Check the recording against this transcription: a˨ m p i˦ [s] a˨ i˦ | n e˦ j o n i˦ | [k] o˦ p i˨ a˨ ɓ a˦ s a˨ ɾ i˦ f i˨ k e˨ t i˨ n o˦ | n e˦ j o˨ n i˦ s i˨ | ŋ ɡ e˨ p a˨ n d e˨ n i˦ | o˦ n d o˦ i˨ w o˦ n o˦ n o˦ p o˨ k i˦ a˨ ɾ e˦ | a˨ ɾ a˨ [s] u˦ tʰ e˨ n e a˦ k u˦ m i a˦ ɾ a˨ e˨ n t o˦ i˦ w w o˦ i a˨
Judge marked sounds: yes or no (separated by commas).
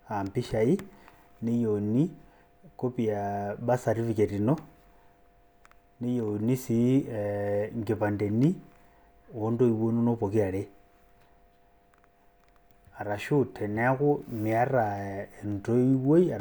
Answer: no, yes, no